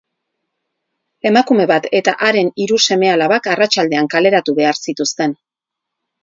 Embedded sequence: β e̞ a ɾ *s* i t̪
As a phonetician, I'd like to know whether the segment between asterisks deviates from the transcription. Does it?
no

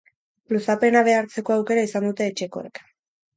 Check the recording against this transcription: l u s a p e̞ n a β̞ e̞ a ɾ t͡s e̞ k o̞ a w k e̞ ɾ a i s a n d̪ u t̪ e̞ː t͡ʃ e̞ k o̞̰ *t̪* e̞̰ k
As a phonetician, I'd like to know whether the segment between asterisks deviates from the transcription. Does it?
yes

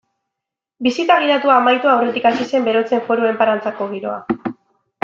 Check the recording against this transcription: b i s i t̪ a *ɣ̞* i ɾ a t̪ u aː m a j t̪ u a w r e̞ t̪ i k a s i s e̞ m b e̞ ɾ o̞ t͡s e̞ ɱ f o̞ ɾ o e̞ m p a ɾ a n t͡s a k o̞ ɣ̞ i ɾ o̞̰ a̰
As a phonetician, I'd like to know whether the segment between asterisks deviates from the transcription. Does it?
no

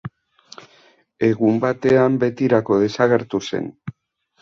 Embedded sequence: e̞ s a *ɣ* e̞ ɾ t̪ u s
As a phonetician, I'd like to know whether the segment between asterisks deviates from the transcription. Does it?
no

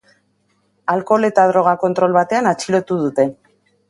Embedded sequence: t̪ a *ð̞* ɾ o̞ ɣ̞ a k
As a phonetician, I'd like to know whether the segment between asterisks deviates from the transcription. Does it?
no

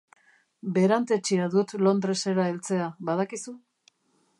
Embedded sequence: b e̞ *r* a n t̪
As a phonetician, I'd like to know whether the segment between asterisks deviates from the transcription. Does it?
yes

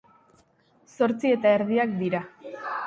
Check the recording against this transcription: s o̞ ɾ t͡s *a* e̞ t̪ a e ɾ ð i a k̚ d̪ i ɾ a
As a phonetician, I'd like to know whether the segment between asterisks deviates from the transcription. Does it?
yes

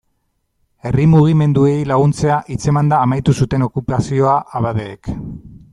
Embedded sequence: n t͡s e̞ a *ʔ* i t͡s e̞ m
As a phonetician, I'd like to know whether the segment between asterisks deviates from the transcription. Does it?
no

